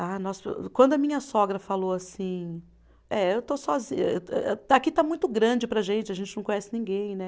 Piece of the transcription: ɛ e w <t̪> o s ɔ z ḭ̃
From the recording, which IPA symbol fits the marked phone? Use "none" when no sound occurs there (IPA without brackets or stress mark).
t̪